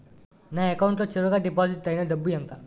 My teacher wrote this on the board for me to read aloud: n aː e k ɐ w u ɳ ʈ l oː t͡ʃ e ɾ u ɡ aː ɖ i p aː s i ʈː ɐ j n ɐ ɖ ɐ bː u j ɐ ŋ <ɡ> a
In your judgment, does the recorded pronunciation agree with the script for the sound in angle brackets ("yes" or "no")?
no